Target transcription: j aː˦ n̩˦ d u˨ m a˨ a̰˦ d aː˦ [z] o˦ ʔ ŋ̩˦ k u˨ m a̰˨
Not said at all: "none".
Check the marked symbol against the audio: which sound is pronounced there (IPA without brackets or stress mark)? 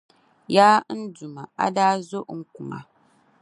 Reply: z